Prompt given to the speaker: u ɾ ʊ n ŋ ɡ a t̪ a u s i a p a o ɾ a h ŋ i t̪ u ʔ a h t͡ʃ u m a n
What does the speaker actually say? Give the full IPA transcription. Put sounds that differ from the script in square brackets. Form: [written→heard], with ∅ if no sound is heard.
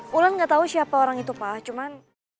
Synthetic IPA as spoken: u [ɾ→l] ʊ n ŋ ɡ a t̪ a u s i a p a o ɾ a [h→∅] ŋ i t̪ u [ʔ→p] a h t͡ʃ u m a n